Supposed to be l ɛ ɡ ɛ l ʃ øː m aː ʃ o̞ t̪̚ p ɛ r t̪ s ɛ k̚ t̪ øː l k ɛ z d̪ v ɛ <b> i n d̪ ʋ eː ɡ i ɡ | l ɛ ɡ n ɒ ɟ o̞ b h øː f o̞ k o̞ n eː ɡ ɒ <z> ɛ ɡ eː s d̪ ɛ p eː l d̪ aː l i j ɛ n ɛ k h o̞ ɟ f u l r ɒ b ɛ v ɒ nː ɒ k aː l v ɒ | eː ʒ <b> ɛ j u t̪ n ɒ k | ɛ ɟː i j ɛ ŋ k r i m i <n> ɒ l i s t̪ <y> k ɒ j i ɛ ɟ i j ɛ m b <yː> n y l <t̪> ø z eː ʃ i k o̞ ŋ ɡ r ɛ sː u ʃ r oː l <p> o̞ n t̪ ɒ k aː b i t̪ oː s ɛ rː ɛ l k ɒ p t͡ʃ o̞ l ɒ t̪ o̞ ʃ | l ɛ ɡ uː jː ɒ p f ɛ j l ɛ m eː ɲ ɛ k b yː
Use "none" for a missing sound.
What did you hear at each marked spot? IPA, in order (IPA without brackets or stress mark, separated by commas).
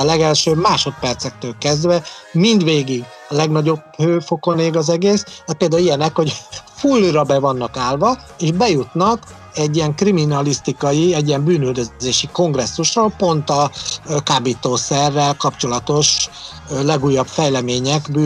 m, z, b, n, i, yː, d̪, p